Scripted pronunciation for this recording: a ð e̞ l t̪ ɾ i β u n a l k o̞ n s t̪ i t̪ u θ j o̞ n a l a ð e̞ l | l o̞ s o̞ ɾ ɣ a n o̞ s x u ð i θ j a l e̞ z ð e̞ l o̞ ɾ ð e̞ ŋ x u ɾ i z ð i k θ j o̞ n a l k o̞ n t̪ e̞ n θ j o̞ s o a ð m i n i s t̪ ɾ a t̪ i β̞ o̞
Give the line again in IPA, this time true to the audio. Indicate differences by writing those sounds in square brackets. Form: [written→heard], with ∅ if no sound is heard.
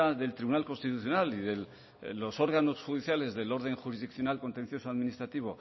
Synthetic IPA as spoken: a ð e̞ l t̪ ɾ i β u n a l k o̞ n s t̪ i t̪ u θ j o̞ n a l [a→i] ð e̞ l | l o̞ s o̞ ɾ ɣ a n o̞ s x u ð i θ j a l e̞ z ð e̞ l o̞ ɾ ð e̞ ŋ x u ɾ i z ð i k θ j o̞ n a l k o̞ n t̪ e̞ n θ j o̞ s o a ð m i n i s t̪ ɾ a t̪ i β̞ o̞